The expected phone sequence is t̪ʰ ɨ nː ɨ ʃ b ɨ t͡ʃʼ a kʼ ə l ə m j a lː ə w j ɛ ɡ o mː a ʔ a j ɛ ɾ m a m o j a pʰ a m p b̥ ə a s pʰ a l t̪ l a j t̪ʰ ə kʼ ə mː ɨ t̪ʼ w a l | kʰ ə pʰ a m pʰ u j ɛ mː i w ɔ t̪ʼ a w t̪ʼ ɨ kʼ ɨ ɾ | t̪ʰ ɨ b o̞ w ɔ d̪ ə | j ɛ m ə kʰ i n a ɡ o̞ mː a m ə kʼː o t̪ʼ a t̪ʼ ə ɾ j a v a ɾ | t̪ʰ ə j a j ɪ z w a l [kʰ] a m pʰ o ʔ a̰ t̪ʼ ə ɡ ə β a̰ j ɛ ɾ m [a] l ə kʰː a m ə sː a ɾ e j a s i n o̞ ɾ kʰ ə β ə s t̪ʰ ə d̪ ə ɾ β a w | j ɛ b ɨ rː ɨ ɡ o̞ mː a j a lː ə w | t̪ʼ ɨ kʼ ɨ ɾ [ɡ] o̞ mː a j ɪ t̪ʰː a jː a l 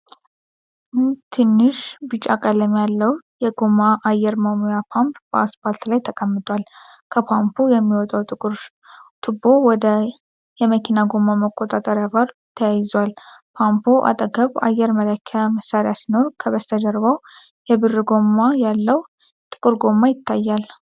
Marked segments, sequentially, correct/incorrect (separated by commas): incorrect, incorrect, correct